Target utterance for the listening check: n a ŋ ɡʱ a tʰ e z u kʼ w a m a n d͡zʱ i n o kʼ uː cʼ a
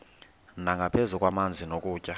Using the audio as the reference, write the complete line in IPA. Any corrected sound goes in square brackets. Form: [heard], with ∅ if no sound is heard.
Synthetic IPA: n a ŋ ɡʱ a [pʰ] e z u kʼ w a m a n d͡zʱ i n o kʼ uː cʼ a